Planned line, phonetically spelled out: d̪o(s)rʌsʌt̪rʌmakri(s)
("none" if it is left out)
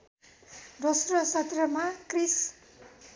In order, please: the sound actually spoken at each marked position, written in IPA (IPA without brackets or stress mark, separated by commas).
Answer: s, s